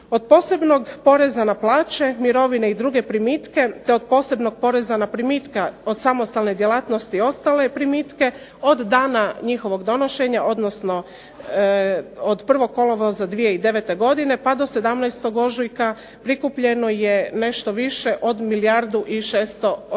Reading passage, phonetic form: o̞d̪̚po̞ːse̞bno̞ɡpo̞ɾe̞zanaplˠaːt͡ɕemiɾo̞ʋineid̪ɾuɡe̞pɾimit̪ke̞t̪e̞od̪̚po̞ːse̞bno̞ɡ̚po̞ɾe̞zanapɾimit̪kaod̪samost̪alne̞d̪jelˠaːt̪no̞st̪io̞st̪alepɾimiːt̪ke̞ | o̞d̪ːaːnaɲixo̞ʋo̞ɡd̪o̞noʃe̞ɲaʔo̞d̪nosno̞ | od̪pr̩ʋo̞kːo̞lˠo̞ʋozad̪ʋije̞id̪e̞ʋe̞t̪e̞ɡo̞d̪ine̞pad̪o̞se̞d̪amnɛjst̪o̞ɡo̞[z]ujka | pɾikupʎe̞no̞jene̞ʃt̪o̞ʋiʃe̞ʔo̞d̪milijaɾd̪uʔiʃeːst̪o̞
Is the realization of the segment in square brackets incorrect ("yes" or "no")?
yes